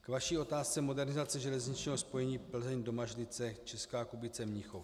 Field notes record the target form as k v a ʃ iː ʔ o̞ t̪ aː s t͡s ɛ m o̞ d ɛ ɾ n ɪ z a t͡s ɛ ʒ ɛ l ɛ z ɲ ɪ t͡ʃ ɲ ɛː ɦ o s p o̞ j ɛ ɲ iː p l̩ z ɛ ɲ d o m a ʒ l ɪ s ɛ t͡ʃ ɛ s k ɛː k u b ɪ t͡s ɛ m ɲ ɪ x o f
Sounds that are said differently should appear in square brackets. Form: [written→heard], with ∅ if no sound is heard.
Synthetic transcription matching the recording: k v a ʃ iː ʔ o̞ t̪ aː s t͡s ɛ m o̞ d ɛ ɾ n ɪ z a t͡s ɛ ʒ ɛ l ɛ z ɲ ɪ t͡ʃ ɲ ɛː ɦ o s p o̞ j ɛ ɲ iː p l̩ z ɛ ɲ d o m a ʒ l ɪ [s→t͡s] ɛ t͡ʃ ɛ s k [ɛː→aː] k u b ɪ t͡s ɛ m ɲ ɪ x o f